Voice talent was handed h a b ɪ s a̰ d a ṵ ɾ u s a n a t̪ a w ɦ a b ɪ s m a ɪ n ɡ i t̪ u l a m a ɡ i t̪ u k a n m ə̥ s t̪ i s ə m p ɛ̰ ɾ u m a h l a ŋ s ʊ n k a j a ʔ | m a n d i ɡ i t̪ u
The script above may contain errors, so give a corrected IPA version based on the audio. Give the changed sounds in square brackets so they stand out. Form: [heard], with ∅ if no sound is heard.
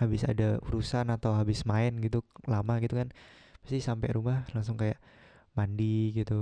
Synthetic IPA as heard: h a b ɪ s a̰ d a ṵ ɾ u s a n a t̪ a w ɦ a b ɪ s m a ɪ n ɡ i t̪ u l a m a ɡ i t̪ u k a n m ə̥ s t̪ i s [a] m p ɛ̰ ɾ u m a h l a ŋ s ʊ [ŋ] k a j a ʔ | m a n d i ɡ i t̪ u